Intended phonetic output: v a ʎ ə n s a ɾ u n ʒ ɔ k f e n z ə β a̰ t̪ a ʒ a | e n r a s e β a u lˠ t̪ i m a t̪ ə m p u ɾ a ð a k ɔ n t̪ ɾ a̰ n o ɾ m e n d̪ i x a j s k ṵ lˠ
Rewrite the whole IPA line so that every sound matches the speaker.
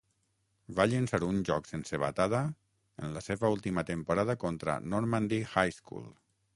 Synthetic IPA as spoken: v a ʎ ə n s a ɾ u n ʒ ɔ k s e n s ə β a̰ t̪ a ð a | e n l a s e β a u lˠ t̪ i m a t̪ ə m p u ɾ a ð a k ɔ n t̪ ɾ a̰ n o ɾ m a n d̪ i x a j s k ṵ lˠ